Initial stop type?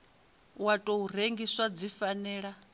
ejective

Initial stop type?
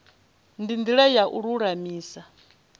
plain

